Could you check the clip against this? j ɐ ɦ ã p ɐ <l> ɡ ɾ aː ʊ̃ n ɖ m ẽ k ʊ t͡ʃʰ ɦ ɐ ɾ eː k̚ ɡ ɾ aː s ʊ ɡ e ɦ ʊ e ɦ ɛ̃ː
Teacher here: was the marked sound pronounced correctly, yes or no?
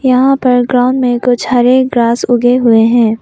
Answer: no